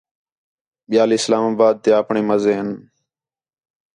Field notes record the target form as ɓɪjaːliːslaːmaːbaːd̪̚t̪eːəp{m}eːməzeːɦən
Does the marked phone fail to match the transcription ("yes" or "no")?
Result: yes